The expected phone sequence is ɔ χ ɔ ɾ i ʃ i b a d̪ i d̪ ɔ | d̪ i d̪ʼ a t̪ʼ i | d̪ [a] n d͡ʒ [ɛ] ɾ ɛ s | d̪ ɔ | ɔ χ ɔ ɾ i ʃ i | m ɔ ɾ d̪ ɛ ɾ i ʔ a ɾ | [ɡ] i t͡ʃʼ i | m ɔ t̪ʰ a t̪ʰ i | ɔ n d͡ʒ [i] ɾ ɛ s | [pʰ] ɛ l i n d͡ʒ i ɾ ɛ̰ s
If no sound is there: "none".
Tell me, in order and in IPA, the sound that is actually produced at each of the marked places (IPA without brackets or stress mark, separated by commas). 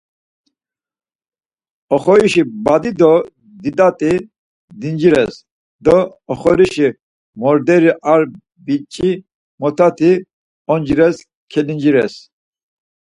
i, i, b, i, kʰ